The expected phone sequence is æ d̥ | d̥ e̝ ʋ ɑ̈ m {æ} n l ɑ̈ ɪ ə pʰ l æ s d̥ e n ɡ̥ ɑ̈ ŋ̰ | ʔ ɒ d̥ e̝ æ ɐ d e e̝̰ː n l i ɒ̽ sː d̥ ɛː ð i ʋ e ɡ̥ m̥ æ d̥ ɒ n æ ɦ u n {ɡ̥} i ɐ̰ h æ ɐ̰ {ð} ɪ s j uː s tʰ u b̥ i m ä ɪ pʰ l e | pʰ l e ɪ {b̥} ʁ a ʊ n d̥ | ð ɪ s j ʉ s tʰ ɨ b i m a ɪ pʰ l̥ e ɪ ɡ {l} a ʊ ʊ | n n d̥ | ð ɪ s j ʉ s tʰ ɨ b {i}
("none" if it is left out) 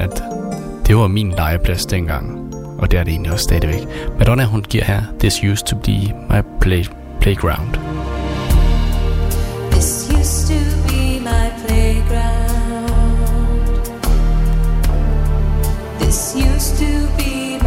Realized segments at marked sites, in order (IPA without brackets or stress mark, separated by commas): i, ɡ̥, ð, ɡ̥, ɹ, i